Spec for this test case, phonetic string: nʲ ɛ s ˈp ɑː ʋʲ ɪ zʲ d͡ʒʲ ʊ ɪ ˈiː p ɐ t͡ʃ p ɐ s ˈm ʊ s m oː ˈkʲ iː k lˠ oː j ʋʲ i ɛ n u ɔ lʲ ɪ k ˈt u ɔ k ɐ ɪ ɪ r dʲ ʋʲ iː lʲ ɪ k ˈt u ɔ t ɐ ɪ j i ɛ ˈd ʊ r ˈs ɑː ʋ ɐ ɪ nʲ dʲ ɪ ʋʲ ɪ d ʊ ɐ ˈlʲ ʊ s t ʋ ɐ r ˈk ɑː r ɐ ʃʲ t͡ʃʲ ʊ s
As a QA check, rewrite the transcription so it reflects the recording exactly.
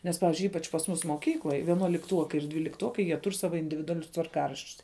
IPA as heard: nʲ ɛ s ˈp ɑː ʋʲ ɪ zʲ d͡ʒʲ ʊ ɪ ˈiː p ɐ t͡ʃ p ɐ s ˈm ʊ s m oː ˈkʲ iː k lˠ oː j ʋʲ i ɛ n u ɔ lʲ ɪ k ˈt u ɔ k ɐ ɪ ɪ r dʲ ʋʲ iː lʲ ɪ k ˈt u ɔ k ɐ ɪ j i ɛ ˈt ʊ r ˈs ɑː ʋ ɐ ɪ nʲ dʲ ɪ ʋʲ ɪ d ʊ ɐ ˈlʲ ʊ s t ʋ ɐ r ˈk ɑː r ɐ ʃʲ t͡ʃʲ ʊ s